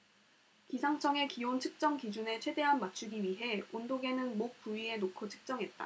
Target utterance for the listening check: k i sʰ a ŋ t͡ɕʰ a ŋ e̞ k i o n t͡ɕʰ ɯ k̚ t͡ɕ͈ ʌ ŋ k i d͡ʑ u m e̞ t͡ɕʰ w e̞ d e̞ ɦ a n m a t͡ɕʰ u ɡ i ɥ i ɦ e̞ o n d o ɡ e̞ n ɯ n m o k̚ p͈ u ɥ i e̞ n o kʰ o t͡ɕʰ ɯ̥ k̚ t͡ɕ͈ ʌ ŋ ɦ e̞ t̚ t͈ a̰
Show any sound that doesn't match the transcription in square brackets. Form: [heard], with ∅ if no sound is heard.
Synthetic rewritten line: k i sʰ a ŋ t͡ɕʰ [ʌ] ŋ e̞ k i o n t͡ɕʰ ɯ k̚ t͡ɕ͈ ʌ ŋ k i d͡ʑ u [n] e̞ t͡ɕʰ w e̞ d e̞ ɦ a n m a t͡ɕʰ u ɡ i ɥ i ɦ e̞ o n d o ɡ e̞ n ɯ n m o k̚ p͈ u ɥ i e̞ n o kʰ o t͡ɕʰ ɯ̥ k̚ t͡ɕ͈ ʌ ŋ ɦ e̞ t̚ t͈ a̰